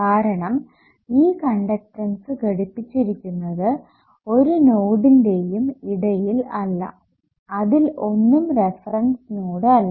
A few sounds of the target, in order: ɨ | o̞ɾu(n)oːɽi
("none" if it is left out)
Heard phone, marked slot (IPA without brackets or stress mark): n